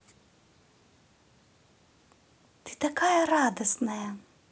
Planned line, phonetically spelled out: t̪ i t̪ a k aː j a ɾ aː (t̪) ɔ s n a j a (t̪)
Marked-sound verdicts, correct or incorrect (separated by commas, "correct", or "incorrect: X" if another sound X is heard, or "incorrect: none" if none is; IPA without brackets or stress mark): incorrect: d̪, incorrect: none